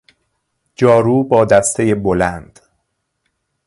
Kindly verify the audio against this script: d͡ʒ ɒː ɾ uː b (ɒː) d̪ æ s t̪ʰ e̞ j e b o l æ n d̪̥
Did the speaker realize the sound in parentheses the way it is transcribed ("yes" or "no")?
yes